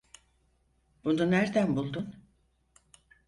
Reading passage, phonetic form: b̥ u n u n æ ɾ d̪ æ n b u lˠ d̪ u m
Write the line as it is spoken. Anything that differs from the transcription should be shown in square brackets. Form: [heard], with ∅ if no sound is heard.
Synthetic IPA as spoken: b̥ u n u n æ ɾ d̪ æ n b u lˠ d̪ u [n]